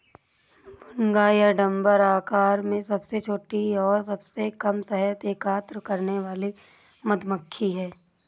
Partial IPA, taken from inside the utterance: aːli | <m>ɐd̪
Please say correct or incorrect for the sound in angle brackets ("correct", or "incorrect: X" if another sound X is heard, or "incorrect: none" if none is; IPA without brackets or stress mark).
correct